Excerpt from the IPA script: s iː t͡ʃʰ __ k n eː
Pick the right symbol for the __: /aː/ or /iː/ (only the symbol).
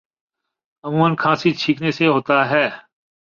iː